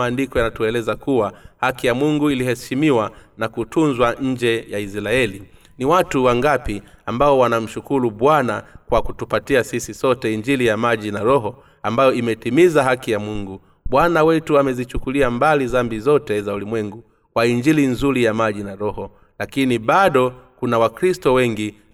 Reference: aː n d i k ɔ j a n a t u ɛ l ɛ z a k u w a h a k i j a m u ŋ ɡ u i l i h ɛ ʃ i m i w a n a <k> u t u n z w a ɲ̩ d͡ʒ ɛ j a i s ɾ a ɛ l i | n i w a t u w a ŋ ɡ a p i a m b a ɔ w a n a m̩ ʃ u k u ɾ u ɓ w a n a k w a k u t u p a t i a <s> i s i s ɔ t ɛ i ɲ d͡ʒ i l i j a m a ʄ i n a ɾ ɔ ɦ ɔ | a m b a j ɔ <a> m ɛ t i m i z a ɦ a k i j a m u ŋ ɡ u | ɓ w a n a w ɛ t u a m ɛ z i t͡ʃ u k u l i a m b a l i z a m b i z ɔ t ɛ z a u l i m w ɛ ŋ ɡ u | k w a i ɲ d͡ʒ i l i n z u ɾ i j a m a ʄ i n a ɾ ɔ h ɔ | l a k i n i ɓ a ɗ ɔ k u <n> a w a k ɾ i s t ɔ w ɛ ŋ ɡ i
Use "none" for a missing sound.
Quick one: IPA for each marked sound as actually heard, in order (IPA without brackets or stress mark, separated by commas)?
k, s, i, n